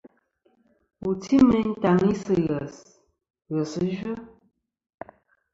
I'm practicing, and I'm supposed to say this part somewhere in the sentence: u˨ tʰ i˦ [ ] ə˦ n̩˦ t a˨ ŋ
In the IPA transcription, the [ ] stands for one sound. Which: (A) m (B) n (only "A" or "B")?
A